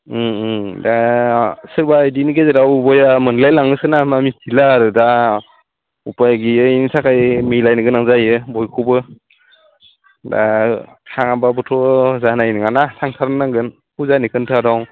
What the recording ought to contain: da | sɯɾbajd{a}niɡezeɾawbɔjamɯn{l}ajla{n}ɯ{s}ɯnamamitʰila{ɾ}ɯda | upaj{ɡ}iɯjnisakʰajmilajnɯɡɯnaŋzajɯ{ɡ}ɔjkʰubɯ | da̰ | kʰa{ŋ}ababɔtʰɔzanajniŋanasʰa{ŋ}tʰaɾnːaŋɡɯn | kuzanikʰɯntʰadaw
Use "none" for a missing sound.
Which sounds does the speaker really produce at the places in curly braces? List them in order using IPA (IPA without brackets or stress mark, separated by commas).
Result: i, l, ŋ, s, ɾ, ɡ, b, ŋ, ŋ